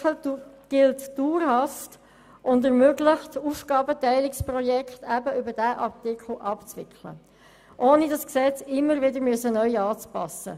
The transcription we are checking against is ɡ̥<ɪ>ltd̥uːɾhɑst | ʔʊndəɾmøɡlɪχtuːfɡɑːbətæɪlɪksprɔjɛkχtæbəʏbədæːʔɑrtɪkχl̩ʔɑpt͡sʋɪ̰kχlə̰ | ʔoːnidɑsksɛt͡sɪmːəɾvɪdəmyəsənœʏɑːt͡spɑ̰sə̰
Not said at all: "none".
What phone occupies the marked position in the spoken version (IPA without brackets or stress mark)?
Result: ɪ